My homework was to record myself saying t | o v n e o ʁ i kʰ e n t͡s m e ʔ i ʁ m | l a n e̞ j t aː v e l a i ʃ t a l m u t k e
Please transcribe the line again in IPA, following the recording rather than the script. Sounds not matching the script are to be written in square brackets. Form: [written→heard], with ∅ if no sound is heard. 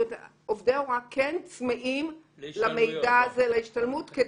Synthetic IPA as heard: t | o v [n→d] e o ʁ [i→a] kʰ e n t͡s m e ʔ i [ʁ→∅] m | l a [n→m] e̞ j [t→d] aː [v→z] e l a i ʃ t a l m u t k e